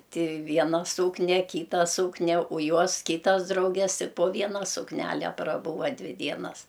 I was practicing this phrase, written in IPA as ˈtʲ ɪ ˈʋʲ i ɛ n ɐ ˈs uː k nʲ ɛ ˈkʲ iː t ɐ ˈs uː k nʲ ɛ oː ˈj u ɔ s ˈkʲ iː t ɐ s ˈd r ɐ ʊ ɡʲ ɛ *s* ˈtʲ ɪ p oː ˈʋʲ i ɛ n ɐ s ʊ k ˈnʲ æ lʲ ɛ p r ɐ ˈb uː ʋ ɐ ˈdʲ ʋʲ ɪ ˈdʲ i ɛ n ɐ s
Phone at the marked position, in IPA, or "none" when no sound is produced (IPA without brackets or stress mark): s